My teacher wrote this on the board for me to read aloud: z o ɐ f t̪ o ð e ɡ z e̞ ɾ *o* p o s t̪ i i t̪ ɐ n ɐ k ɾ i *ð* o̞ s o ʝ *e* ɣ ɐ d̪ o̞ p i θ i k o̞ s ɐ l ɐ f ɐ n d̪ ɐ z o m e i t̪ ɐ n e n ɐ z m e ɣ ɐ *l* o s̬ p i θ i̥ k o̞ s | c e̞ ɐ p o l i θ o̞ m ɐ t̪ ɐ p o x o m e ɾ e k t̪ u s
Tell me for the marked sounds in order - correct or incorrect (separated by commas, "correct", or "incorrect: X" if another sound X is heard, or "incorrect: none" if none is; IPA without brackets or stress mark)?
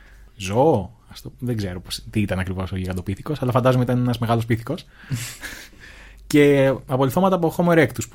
correct, incorrect: v, incorrect: i, correct